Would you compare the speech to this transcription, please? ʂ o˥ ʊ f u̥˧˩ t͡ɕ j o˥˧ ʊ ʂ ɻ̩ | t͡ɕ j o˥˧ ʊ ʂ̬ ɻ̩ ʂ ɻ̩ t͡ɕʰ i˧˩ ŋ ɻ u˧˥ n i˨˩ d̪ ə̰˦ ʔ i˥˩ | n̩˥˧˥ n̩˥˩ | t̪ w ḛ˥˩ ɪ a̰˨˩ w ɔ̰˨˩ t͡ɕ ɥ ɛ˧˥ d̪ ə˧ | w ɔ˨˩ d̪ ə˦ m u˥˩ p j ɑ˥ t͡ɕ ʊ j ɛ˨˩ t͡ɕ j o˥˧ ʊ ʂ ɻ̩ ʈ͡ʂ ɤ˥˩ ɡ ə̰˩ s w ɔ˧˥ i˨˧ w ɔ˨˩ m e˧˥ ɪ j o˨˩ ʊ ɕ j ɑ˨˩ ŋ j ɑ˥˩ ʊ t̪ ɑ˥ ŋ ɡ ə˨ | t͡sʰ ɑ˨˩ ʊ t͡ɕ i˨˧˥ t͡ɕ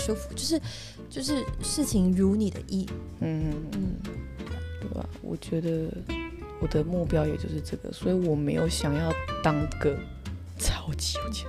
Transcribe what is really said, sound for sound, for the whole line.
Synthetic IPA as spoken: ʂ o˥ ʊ f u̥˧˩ t͡ɕ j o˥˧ ʊ ʂ ɻ̩ | t͡ɕ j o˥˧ ʊ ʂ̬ ɻ̩ ʂ ɻ̩ t͡ɕʰ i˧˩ ŋ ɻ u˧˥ n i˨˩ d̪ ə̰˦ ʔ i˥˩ | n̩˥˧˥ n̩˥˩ | t̪ w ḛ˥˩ ɪ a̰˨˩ w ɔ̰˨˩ t͡ɕ ɥ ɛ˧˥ d̪ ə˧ | w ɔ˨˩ d̪ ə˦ m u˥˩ p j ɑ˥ ʊ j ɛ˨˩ t͡ɕ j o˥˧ ʊ ʂ ɻ̩ ʈ͡ʂ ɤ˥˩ ɡ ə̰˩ s w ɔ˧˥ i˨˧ w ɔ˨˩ m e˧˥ ɪ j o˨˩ ʊ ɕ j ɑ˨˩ ŋ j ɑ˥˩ ʊ t̪ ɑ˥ ŋ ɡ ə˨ | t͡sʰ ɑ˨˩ ʊ t͡ɕ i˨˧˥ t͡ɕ